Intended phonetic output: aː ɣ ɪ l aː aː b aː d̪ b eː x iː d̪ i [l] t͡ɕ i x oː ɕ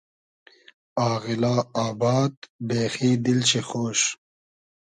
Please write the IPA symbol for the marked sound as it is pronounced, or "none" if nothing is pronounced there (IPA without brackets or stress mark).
l